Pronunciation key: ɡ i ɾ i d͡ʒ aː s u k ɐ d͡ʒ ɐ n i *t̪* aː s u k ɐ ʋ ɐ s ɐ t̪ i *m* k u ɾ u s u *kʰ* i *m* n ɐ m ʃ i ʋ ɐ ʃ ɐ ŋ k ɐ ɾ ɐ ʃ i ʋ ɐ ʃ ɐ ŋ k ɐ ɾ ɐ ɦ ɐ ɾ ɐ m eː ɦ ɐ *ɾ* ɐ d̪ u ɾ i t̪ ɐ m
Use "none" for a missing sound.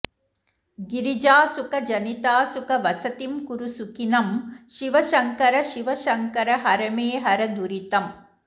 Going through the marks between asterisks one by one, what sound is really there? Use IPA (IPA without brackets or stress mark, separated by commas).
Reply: t̪, m, k, none, ɾ